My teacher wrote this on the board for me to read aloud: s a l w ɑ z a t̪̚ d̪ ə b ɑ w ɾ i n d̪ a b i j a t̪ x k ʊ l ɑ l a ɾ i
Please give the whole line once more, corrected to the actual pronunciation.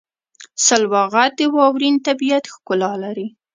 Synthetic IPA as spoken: s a l w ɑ ɣ a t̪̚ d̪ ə w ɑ w ɾ i n t̪ a b i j a t̪ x k ʊ l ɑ l a ɾ i